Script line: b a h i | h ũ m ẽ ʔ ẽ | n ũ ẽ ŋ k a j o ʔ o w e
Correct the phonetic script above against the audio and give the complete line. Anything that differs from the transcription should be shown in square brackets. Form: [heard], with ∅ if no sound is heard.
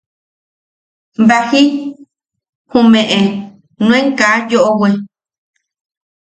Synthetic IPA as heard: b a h i | h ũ m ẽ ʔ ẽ | n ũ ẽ ŋ k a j o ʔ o w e